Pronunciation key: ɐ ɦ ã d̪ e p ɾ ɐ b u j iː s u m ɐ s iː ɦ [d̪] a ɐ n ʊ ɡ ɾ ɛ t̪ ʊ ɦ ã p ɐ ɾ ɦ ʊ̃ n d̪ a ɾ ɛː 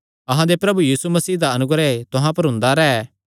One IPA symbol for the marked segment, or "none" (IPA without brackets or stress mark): d̪